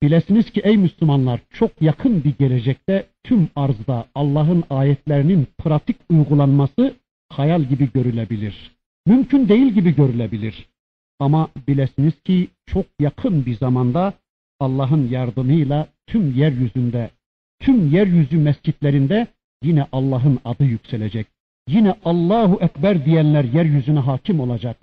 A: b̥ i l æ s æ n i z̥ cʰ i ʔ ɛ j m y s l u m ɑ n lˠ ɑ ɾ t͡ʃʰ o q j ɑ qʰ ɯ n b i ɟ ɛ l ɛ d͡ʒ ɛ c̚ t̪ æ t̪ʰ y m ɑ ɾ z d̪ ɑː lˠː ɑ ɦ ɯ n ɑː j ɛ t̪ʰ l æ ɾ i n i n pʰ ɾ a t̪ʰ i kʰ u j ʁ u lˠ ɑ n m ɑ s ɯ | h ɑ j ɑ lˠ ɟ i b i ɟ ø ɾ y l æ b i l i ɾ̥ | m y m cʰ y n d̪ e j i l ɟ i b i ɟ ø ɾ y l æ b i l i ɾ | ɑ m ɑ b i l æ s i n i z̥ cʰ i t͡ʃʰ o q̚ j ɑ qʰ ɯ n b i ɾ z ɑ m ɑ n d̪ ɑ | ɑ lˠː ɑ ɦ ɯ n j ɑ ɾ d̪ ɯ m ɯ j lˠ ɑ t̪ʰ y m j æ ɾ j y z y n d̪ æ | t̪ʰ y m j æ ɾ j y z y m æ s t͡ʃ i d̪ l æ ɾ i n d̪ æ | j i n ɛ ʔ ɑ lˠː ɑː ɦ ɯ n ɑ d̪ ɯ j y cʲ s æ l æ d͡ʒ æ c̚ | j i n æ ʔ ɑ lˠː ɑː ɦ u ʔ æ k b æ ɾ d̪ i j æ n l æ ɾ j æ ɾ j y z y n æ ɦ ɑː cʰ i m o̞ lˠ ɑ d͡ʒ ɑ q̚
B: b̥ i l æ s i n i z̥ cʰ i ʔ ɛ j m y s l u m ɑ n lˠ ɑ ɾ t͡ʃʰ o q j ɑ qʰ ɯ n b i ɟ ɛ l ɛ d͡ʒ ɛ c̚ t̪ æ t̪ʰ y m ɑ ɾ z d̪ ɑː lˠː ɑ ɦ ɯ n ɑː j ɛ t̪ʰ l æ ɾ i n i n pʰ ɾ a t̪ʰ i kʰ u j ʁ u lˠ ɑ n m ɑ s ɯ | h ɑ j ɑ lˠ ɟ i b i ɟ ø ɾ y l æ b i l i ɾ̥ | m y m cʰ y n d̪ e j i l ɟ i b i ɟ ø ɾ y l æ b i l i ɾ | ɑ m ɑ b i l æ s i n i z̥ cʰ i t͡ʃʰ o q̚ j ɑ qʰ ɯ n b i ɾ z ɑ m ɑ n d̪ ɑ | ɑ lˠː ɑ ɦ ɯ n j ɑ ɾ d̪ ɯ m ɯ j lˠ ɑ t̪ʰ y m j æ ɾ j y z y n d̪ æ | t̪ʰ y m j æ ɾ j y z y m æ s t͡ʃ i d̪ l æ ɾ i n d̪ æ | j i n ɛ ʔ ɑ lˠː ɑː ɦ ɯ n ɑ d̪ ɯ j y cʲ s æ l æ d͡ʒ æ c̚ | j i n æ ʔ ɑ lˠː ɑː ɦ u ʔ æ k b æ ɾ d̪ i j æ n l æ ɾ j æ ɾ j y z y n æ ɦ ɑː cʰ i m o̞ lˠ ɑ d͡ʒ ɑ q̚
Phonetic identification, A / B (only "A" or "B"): B